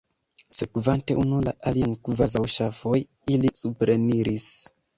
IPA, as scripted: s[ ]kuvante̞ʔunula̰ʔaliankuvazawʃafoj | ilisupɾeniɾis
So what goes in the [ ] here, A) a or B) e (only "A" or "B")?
B